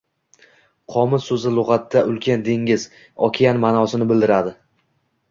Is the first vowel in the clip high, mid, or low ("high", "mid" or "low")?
low